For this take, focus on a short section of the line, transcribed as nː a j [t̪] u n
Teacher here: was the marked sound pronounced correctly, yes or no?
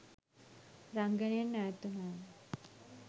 yes